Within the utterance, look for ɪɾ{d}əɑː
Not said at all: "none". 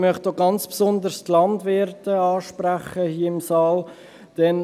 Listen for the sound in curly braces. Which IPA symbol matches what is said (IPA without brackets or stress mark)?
t